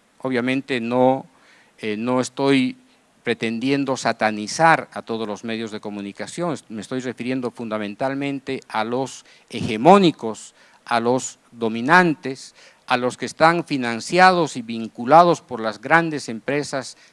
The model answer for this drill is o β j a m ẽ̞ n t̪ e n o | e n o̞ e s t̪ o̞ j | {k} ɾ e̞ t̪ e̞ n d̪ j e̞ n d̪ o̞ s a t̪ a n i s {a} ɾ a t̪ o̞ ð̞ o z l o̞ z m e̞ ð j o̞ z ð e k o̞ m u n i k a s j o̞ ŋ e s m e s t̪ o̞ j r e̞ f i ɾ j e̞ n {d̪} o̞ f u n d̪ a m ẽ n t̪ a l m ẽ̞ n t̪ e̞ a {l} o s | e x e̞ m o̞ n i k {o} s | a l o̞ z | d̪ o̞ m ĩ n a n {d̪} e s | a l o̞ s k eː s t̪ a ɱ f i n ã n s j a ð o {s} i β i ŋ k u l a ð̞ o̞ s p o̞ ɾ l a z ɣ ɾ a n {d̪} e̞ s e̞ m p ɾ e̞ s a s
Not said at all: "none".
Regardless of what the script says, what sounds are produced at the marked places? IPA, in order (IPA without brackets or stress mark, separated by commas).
p, a, d̪, l, o, t̪, s, d̪